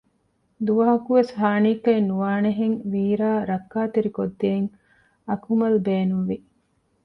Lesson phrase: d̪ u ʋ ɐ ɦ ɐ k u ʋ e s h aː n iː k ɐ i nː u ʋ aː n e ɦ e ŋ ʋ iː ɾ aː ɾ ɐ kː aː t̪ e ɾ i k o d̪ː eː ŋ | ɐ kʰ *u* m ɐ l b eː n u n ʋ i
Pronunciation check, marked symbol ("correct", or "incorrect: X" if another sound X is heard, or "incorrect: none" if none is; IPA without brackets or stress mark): correct